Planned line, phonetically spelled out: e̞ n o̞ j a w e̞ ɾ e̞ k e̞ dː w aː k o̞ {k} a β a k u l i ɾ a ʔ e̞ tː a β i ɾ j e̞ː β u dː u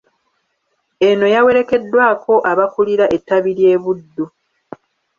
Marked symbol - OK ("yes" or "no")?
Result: no